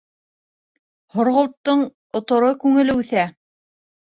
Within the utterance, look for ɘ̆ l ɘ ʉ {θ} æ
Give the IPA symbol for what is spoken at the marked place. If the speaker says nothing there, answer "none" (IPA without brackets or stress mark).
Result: θ